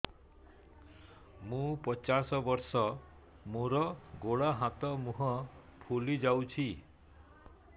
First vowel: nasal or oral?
nasal